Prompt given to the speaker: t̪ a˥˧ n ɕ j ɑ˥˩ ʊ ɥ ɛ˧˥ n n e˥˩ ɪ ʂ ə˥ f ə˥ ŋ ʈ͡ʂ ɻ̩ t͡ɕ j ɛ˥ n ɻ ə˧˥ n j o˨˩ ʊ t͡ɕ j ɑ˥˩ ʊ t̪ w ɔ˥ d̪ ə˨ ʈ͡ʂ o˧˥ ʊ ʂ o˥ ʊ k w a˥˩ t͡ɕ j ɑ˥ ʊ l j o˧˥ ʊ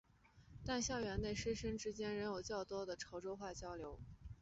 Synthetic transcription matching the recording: t̪ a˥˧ n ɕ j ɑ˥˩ ʊ ɥ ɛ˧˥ n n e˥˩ ɪ ʂ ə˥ ʂ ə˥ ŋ ʈ͡ʂ ɻ̩ t͡ɕ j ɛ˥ n ɻ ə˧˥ n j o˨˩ ʊ t͡ɕ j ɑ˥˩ ʊ t̪ w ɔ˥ d̪ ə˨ ʈ͡ʂʰ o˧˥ ʊ ʈ͡ʂ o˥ ʊ x w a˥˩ t͡ɕ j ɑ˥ ʊ l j o˧˥ ʊ